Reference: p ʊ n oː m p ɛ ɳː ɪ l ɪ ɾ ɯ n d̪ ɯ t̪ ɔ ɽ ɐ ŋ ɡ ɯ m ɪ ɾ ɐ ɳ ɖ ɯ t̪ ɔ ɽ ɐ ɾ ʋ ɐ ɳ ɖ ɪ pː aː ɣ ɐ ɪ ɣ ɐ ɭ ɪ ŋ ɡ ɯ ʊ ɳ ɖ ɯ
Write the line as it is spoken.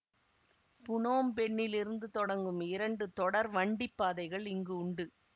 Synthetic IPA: p ʊ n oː m p ɛ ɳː ɪ l ɪ ɾ ɯ n d̪ ɯ t̪ ɔ ɽ ɐ ŋ ɡ ɯ m ɪ ɾ ɐ ɳ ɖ ɯ t̪ ɔ ɽ ɐ ɾ ʋ ɐ ɳ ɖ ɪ pː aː ð ɐ ɪ ɣ ɐ ɭ ɪ ŋ ɡ ɯ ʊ ɳ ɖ ɯ

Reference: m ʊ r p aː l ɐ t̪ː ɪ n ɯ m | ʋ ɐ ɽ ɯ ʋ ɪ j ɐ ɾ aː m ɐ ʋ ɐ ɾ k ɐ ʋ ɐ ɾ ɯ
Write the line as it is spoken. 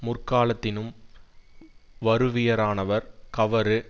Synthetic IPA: m ʊ r k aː l ɐ t̪ː ɪ n ɯ m | ʋ ɐ ɾ ɯ ʋ ɪ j ɐ ɾ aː n ɐ ʋ ɐ ɾ k ɐ ʋ ɐ ɾ ɯ

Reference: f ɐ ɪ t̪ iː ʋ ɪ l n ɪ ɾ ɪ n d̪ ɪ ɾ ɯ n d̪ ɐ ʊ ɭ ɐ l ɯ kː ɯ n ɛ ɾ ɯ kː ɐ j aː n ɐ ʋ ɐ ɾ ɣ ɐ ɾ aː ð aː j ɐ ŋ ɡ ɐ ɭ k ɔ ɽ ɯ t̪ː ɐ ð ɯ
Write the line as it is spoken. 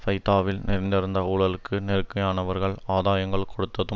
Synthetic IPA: f ɐ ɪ t̪ aː ʋ ɪ l n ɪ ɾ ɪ n d̪ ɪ ɾ ɯ n d̪ ɐ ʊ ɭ ɐ l ɯ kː ɯ n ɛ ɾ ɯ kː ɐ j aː n ɐ ʋ ɐ ɾ ɣ ɐ ɭ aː ð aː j ɐ ŋ ɡ ɐ ɭ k ɔ ɽ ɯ t̪ː ɐ ð ɯ

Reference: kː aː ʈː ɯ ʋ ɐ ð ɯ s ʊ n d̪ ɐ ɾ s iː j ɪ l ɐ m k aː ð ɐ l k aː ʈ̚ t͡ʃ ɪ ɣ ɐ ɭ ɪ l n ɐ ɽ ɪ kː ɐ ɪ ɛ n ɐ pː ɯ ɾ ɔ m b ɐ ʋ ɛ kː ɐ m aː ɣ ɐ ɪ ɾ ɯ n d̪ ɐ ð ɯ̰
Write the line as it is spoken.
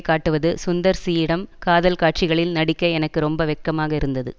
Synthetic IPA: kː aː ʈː ɯ ʋ ɐ ð ɯ s ʊ n d̪ ɐ ɾ s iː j ɪ ɽ ɐ m k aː ð ɐ l k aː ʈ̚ t͡ʃ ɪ ɣ ɐ ɭ ɪ l n ɐ ɽ ɪ kː ɐ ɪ ɛ n ɐ kː ɯ ɾ ɔ m b ɐ ʋ ɛ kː ɐ m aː ɣ ɐ ɪ ɾ ɯ n d̪ ɐ ð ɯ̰

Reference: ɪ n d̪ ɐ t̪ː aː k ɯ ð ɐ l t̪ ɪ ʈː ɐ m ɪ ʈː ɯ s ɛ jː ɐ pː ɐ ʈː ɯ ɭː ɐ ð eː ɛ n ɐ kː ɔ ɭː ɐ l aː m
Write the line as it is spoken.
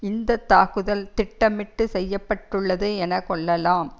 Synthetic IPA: ɪ n d̪ ɐ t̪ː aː k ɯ ð ɐ l t̪ ɪ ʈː ɐ m ɪ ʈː ɯ s ɛ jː ɐ pː ɐ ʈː ɯ ɭː ɐ ð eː ɛ n ɐ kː ɔ ɭː ɐ l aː m

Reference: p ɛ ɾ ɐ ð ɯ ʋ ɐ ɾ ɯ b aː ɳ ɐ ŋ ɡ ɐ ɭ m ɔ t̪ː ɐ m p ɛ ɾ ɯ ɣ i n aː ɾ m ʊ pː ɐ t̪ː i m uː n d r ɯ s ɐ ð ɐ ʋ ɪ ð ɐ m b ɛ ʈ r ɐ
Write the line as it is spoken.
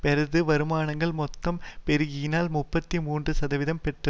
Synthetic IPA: p ɛ ɾ ɐ ð ɯ ʋ ɐ ɾ ɯ m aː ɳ ɐ ŋ ɡ ɐ ɭ m ɔ t̪ː ɐ m p ɛ ɾ ɯ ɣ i n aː l m ʊ pː ɐ t̪ː i m uː n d r ɯ s ɐ ð ɐ ʋ ɪ ð ɐ m p ɛ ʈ r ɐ

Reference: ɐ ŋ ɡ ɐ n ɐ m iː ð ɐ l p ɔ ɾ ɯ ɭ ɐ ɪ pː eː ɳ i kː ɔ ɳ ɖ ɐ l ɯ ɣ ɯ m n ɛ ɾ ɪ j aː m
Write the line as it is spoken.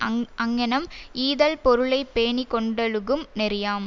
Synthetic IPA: ɐ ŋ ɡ ɐ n ɐ m iː ð ɐ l p ɔ ɾ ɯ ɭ ɐ ɪ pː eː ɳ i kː ɔ ɳ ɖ ɐ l ɯ ɣ ɯ m n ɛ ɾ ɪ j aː m

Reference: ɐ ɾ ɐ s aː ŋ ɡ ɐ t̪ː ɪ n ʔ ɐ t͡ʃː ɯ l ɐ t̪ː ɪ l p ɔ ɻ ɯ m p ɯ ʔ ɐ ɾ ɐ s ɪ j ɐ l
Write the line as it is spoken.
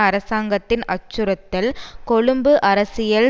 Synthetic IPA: ɐ ɾ ɐ s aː ŋ ɡ ɐ t̪ː ɪ n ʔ ɐ t͡ʃː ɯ ɾ ɐ t̪ː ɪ l k ɔ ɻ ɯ m b ɯ ʔ ɐ ɾ ɐ s ɪ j ɐ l

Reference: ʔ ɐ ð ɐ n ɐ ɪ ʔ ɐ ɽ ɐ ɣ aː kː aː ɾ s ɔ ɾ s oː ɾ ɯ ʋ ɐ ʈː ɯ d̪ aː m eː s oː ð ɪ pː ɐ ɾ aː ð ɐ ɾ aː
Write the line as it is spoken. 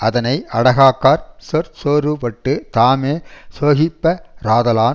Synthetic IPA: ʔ ɐ ð ɐ n ɐ ɪ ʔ ɐ ɽ ɐ ɣ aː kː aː ɾ s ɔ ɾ s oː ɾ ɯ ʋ ɐ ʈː ɯ t̪ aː m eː s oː ɣ ɪ pː ɐ ɾ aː ð ɐ l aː

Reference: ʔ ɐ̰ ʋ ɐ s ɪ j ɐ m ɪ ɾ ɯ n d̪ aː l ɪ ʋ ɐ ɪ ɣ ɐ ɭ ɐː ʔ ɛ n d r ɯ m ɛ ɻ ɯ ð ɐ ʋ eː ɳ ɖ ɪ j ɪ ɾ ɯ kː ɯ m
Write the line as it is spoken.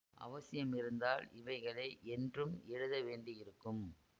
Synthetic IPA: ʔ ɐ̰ ʋ ɐ s ɪ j ɐ m ɪ ɾ ɯ n d̪ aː l ɪ ʋ ɐ ɪ ɣ ɐ ɭ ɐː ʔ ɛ n d r ɯ m ɛ ɻ ɯ ð ɐ ʋ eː ɳ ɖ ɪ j ɪ ɾ ɯ kː ɯ m

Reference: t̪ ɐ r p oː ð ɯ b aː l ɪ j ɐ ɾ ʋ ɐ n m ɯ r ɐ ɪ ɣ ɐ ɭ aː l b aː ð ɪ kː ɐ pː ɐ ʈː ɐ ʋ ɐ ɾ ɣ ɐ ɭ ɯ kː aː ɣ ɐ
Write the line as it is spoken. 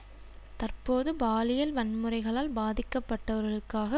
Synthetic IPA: t̪ ɐ r p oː ð ɯ b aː l ɪ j ɐ l ʋ ɐ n m ɯ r ɐ ɪ ɣ ɐ ɭ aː l b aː ð ɪ kː ɐ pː ɐ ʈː ɐ ʋ ɐ ɾ ɣ ɐ ɭ ɯ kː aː ɣ ɐ

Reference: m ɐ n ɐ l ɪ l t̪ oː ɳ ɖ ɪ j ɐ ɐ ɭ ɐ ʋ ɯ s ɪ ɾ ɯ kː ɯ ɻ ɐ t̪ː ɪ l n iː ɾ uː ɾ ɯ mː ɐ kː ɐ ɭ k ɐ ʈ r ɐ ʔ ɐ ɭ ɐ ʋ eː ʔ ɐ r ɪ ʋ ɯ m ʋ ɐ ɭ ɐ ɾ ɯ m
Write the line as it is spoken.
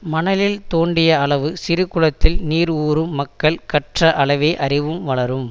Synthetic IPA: m ɐ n ɐ l ɪ l t̪ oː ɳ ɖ ɪ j ɐ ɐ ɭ ɐ ʋ ɯ s ɪ ɾ ɯ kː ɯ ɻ ɐ t̪ː ɪ l n iː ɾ uː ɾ ɯ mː ɐ kː ɐ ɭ k ɐ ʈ r ɐ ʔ ɐ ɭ ɐ ʋ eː ʔ ɐ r ɪ ʋ ɯ m ʋ ɐ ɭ ɐ ɾ ɯ m

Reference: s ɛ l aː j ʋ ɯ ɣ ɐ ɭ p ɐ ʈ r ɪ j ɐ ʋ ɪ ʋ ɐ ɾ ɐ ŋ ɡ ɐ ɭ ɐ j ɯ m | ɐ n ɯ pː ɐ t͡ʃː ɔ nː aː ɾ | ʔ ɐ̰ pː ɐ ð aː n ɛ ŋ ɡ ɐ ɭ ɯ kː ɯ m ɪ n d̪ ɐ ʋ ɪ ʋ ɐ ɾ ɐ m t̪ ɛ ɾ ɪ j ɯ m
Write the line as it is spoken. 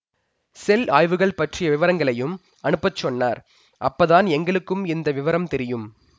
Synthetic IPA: s ɛ l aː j ʋ ɯ ɣ ɐ ɭ p ɐ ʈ r ɪ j ɐ ʋ ɪ ʋ ɐ ɾ ɐ ŋ ɡ ɐ ɭ ɐ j ɯ m | ɐ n ɯ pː ɐ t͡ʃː ɔ nː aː ɾ | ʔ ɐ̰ pː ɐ ð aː n ɛ ŋ ɡ ɐ ɭ ɯ kː ɯ m ɪ n d̪ ɐ ʋ ɪ ʋ ɐ ɾ ɐ m t̪ ɛ ɾ ɪ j ɯ m

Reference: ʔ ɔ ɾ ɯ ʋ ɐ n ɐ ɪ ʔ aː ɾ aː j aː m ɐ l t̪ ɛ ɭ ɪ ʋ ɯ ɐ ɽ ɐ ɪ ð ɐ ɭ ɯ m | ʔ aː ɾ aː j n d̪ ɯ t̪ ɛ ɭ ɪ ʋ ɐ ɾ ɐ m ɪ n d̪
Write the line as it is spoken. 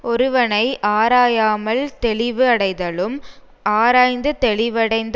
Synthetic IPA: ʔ ɔ ɾ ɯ ʋ ɐ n ɐ ɪ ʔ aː ɾ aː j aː m ɐ l t̪ ɛ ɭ ɪ ʋ ɯ ɐ ɽ ɐ ɪ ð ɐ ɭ ɯ m | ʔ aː ɾ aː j n d̪ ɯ t̪ ɛ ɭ ɪ ʋ ɐ ɽ ɐ ɪ n d̪

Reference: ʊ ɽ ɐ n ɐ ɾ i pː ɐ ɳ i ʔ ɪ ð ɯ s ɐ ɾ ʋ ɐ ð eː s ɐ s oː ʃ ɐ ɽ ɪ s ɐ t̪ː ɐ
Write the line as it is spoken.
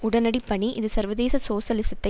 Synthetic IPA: ʊ ɽ ɐ n ɐ ɽ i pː ɐ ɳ i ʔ ɪ ð ɯ s ɐ ɾ ʋ ɐ ð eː s ɐ s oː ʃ ɐ l ɪ s ɐ t̪ː ɐ

